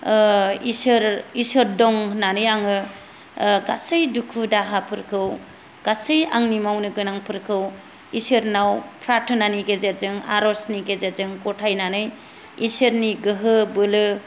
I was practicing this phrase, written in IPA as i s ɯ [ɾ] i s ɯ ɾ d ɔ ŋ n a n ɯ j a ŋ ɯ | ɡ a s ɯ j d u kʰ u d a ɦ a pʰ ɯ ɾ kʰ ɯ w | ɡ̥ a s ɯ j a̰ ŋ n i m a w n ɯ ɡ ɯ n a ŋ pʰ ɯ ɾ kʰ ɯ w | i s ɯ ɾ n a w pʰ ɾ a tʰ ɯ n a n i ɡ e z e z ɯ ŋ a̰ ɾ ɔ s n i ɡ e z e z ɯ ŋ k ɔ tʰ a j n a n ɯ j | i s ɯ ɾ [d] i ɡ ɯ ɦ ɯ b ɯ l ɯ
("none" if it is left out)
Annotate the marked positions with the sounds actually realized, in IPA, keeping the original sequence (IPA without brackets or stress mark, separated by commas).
ɾ, n